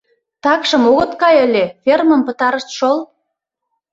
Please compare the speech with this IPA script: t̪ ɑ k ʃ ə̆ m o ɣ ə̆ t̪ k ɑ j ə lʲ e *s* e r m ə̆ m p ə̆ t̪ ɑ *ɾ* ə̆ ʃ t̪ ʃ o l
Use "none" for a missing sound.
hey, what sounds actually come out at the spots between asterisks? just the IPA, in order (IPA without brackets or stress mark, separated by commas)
f, ɾ